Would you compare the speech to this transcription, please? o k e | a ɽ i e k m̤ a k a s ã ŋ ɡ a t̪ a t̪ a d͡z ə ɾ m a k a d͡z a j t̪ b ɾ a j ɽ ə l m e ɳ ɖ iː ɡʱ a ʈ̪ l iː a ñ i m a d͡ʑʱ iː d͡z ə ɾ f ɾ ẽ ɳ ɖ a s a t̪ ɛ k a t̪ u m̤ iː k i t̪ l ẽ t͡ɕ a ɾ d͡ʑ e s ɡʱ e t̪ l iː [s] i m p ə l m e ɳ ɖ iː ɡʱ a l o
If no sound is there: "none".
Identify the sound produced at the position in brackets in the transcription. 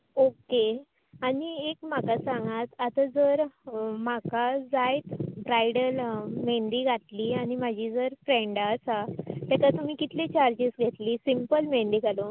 s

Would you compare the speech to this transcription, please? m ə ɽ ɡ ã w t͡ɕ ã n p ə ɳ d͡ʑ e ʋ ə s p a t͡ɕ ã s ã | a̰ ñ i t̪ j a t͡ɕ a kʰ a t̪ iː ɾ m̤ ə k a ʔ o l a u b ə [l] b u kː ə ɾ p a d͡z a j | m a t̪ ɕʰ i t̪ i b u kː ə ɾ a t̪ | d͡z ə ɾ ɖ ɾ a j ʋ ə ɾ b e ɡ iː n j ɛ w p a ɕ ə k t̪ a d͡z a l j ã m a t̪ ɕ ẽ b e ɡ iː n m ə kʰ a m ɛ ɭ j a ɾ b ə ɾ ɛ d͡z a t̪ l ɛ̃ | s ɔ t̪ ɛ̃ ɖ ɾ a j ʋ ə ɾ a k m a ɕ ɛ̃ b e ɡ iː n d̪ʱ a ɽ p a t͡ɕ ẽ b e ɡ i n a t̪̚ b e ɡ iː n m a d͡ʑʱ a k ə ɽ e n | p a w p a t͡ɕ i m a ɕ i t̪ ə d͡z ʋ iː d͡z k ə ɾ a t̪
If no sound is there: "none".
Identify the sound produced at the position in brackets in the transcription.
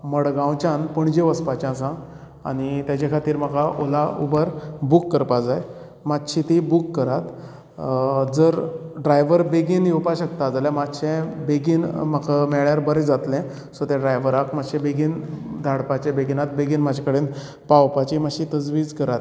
ɾ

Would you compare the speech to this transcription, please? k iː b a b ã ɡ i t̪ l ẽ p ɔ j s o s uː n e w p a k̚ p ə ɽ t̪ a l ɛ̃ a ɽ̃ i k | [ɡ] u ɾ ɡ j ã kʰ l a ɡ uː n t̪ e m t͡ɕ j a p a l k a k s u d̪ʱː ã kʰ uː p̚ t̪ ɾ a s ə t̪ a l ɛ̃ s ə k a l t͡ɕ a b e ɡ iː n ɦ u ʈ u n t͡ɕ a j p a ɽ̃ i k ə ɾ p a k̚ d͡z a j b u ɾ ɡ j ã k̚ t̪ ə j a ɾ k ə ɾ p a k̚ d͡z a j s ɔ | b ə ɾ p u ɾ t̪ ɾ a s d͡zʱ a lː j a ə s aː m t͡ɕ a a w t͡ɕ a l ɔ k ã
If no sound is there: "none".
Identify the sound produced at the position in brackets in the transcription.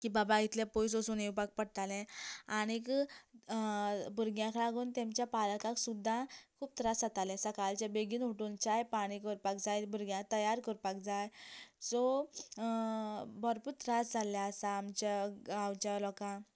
b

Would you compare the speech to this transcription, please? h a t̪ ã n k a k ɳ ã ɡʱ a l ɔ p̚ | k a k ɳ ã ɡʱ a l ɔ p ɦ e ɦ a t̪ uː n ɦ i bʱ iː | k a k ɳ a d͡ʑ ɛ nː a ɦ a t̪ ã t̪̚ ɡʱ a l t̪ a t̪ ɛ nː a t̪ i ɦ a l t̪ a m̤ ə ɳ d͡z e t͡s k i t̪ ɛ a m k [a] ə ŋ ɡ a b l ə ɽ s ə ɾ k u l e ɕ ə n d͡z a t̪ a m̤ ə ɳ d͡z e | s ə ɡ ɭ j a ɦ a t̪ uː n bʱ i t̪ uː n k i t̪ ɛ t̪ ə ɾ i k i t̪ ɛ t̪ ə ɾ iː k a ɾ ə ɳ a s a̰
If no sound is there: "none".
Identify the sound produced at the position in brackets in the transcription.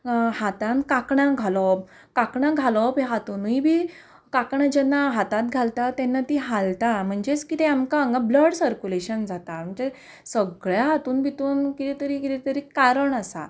a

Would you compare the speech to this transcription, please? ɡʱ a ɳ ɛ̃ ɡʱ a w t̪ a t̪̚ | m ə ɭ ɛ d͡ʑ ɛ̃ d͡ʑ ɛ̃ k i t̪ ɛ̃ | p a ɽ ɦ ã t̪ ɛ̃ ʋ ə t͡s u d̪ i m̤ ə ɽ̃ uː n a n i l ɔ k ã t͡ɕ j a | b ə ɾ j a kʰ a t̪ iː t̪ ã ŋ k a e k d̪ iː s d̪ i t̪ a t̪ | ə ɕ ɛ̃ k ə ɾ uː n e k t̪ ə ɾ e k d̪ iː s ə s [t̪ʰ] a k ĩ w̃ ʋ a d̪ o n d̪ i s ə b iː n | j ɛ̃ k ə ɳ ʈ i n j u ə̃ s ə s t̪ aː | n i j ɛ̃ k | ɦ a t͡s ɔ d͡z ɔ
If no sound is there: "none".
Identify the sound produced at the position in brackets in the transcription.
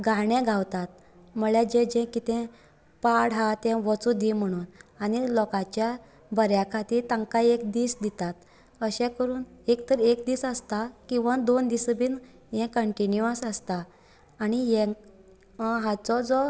t̪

